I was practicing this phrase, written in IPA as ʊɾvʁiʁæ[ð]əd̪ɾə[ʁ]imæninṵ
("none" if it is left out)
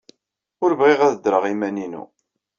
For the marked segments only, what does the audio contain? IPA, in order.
ð, ʁ

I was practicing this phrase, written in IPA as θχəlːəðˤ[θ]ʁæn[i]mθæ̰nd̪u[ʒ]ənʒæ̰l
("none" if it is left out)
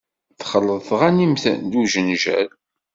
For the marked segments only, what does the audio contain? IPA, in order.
θ, i, ʒ

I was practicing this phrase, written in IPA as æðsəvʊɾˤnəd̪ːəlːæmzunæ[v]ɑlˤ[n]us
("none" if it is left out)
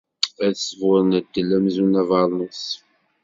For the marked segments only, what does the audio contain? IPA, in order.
v, n

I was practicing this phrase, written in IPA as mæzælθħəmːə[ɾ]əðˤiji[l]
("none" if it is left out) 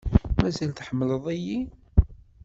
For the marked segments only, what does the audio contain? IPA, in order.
l, none

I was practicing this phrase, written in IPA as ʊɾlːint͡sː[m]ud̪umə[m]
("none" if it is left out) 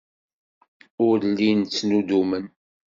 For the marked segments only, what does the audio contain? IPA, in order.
n, n

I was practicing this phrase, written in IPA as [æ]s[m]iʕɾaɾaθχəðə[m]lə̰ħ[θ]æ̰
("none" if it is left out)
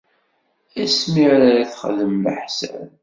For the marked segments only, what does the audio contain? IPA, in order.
æ, m, m, s

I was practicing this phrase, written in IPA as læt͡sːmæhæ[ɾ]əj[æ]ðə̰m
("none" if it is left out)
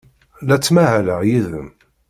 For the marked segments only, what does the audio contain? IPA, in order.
l, i

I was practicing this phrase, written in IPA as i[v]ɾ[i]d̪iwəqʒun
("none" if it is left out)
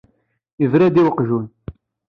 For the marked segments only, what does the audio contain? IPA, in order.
v, æ

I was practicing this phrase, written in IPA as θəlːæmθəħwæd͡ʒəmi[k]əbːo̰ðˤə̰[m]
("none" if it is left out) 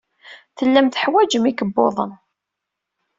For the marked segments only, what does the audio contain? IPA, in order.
k, n

